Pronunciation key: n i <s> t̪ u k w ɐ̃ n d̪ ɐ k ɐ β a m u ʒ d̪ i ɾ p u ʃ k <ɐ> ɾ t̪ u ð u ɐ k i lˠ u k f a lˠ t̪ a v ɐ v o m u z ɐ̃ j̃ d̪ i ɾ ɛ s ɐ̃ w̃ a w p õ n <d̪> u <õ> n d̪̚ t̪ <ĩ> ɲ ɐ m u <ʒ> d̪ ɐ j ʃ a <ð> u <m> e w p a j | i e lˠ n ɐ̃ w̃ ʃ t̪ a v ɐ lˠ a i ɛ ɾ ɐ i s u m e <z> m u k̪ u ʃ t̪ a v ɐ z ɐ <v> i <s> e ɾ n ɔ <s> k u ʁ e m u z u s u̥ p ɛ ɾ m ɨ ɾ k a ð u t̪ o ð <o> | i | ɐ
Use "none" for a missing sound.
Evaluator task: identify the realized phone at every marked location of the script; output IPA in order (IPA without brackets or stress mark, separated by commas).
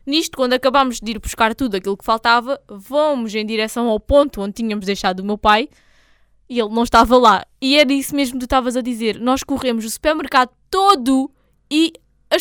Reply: ʃ, a, t̪, õ, i, ʒ, ð, m, ʒ, ð, z, ʃ, u